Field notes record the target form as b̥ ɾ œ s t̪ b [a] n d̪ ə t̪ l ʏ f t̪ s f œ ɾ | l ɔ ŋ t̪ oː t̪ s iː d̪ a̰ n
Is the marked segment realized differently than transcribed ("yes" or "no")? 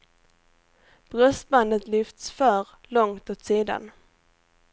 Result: no